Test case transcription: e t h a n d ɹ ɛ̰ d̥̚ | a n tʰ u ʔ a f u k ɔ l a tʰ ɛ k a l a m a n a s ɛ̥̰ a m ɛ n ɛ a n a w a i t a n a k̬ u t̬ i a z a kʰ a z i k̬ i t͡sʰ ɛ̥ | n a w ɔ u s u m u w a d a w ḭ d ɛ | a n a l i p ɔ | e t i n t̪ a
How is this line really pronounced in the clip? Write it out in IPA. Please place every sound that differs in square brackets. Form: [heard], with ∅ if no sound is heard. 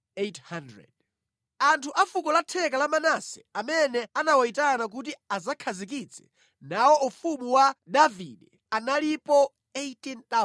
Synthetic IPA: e t h a n d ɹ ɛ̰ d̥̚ | a n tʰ u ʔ a f u k ɔ l a tʰ ɛ k a l a m a n a s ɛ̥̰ a m ɛ n ɛ a n a w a i t a n a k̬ u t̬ i a z a kʰ a z i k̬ i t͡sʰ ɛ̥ | n a w ɔ u [f] u m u w a d a [v] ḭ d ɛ | a n a l i p ɔ | e t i n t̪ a

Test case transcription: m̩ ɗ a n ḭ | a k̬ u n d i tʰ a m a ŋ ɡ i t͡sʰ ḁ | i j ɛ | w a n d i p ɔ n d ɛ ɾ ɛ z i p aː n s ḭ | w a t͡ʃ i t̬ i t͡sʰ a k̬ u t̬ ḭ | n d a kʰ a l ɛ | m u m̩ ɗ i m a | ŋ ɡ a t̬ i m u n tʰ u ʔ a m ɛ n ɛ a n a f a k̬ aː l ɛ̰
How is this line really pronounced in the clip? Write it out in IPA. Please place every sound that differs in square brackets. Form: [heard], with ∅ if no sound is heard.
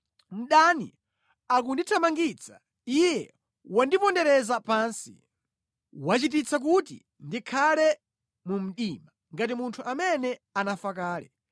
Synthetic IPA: m̩ ɗ a n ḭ | a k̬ u n d i tʰ a m a ŋ ɡ i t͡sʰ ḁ | i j ɛ | w a n d i p ɔ n d ɛ ɾ ɛ z [a] p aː n s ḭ | w a t͡ʃ i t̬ i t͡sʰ a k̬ u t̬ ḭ | n d [i] kʰ a l ɛ | m u m̩ ɗ i m a | ŋ ɡ a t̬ i m u n tʰ u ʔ a m ɛ n ɛ a n a f a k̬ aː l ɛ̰

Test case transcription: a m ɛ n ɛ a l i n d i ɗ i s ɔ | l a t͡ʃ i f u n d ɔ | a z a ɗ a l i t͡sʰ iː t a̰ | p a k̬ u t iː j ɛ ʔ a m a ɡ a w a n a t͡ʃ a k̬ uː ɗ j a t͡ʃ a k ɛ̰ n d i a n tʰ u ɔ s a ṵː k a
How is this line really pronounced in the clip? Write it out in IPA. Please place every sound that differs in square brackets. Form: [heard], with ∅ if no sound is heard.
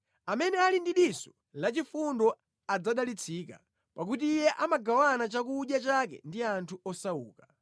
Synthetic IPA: a m ɛ n ɛ a l i n d i ɗ i s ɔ | l a t͡ʃ i f u n d ɔ | a [d͡z] a ɗ a l i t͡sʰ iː [k] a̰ | p a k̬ u t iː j ɛ ʔ a m a ɡ a w a n a t͡ʃ a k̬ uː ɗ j a t͡ʃ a k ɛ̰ n d i a n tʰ u ɔ s a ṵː k a

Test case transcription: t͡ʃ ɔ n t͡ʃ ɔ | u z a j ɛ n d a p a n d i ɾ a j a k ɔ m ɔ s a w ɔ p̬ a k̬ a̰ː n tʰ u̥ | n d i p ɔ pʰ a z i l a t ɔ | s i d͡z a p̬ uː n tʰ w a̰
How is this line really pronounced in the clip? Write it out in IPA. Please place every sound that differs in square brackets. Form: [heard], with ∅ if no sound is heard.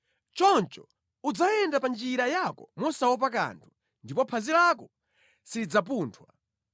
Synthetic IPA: t͡ʃ ɔ n t͡ʃ ɔ | u [d͡z] a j ɛ n d a p a n [d͡ʒ] i ɾ a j a k ɔ m ɔ s a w ɔ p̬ a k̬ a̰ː n tʰ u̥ | n d i p ɔ pʰ a z i l a [k] ɔ | s i d͡z a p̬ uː n tʰ w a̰

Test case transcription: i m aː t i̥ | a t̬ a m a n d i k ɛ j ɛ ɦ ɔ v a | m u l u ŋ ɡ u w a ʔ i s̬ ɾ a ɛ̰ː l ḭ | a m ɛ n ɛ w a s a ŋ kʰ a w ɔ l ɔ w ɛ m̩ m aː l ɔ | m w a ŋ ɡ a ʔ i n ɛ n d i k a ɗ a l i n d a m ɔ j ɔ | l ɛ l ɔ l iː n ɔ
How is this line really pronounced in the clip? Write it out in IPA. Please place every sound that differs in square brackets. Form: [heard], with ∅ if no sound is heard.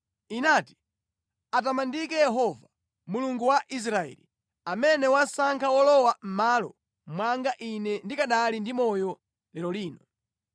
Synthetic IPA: i [n] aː t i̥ | a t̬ a m a n d i k ɛ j ɛ ɦ ɔ v a | m u l u ŋ ɡ u w a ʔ i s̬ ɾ a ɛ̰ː l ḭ | a m ɛ n ɛ w a s a ŋ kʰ a w ɔ l ɔ w [a] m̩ m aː l ɔ | m w a ŋ ɡ a ʔ i n ɛ n d i k a ɗ a l i n d [i] m ɔ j ɔ | l ɛ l ɔ l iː n ɔ

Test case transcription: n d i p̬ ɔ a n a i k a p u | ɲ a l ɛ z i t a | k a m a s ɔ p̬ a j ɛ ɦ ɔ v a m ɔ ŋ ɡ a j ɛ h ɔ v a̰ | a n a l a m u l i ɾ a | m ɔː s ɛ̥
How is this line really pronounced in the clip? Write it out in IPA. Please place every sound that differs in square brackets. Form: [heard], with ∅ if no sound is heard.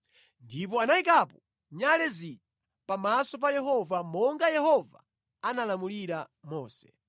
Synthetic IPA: n d i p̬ ɔ a n a i k a p [ɔ] | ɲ a l ɛ z i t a | [p] a m a s ɔ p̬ a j ɛ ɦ ɔ v a m ɔ ŋ ɡ a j ɛ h ɔ v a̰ | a n a l a m u l i ɾ a | m ɔː s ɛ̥

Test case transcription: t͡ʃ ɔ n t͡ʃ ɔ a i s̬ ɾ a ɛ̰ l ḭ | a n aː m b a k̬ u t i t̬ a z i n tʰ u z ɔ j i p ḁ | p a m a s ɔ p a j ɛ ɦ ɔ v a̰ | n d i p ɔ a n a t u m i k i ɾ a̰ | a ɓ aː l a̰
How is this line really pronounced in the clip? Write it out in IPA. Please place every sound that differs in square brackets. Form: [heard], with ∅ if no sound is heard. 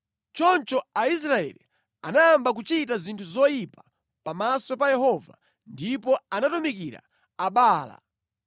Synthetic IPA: t͡ʃ ɔ n t͡ʃ ɔ a i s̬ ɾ a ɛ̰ l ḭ | a n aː m b a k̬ u [t͡ʃ] i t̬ a z i n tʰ u z ɔ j i p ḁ | p a m a s ɔ p a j ɛ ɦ ɔ v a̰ | n d i p ɔ a n a t u m i k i ɾ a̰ | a ɓ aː l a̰

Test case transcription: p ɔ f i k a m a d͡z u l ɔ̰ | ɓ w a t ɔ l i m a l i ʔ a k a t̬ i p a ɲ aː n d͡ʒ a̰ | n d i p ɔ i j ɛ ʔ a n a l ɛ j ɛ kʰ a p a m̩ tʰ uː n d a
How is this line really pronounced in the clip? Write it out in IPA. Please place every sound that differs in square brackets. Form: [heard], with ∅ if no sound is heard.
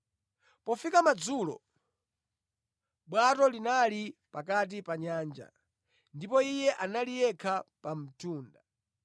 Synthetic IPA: p ɔ f i k a m a d͡z u l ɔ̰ | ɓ w a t ɔ l i [n] a l i [p] a k a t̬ i p a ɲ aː n d͡ʒ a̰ | n d i p ɔ i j ɛ ʔ a n a l [i] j ɛ kʰ a p a m̩ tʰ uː n d a

